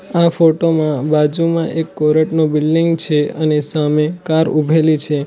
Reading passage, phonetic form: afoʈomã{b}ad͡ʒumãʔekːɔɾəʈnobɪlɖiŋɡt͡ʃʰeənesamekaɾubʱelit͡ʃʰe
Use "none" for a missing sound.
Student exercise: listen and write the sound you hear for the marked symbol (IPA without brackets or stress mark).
b